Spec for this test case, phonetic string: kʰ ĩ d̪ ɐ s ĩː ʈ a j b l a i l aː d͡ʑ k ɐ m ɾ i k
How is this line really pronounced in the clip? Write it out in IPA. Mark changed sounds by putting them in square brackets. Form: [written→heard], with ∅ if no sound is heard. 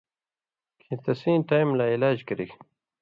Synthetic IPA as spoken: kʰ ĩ [d̪→t̪] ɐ s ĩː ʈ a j [b→m] l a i l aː d͡ʑ k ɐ [m→∅] ɾ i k